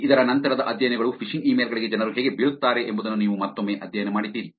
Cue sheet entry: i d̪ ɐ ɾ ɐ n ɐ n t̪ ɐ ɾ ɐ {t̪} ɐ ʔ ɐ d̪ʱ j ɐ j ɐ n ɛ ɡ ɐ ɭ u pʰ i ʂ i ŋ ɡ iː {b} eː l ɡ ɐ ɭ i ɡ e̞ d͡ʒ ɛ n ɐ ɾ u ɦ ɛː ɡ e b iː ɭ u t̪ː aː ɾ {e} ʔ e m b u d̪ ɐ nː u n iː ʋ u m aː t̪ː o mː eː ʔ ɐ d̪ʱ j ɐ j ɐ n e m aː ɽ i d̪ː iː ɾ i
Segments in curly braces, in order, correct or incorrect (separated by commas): incorrect, incorrect, correct